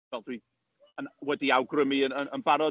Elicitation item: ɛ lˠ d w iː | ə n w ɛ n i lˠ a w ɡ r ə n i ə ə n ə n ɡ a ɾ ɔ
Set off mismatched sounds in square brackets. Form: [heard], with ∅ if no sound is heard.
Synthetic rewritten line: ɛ lˠ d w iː | ə n w ɛ [d] i [∅] a w ɡ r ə [m] i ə ə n ə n [b] a ɾ ɔ